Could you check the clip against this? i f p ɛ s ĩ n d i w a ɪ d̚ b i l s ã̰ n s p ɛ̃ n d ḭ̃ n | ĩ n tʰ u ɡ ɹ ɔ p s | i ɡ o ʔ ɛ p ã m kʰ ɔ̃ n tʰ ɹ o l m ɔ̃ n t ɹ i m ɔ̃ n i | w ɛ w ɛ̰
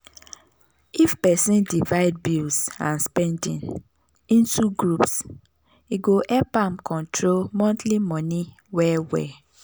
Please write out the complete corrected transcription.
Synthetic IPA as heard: i f p ɛ s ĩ n d i v a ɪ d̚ b i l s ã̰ n s p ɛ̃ n d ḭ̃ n | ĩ n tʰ u ɡ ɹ u p s | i ɡ o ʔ ɛ p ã m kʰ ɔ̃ n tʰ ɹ o l m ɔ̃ n t l i m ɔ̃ n i | w ɛ w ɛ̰